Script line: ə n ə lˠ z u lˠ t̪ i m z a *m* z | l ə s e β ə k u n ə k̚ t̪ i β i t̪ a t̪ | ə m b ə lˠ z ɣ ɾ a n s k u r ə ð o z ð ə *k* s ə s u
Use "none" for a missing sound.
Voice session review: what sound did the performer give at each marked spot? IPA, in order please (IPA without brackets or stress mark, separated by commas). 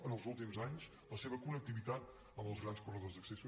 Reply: ɲ, k